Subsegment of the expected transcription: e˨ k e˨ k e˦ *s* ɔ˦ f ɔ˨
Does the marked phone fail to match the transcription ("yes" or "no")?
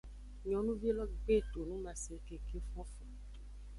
yes